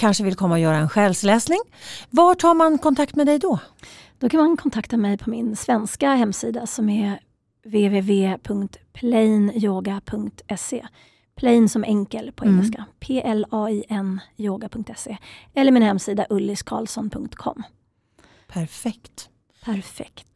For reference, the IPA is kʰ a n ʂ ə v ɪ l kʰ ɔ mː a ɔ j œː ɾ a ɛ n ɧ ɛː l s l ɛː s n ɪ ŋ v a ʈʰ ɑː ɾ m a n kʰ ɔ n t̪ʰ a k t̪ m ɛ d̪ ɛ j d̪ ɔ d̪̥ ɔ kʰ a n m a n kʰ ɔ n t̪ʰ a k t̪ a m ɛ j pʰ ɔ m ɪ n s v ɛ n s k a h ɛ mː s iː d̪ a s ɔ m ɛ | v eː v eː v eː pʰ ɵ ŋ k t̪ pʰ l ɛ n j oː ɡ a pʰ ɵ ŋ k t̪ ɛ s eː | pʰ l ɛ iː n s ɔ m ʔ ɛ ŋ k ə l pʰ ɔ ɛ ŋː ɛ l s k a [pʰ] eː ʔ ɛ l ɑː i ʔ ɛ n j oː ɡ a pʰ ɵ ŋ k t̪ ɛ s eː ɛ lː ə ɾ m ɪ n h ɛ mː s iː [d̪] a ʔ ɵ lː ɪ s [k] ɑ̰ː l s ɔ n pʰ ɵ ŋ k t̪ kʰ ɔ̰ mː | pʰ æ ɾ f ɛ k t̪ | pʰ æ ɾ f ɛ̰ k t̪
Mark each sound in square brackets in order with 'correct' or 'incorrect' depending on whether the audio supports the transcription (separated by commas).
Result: correct, correct, incorrect